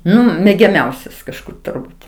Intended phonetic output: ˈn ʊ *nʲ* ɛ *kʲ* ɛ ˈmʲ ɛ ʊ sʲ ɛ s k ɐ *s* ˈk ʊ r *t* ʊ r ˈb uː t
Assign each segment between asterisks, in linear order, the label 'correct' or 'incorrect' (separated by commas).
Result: incorrect, incorrect, incorrect, correct